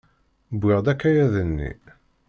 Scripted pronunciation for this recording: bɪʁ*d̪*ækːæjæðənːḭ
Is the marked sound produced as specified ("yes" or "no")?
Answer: yes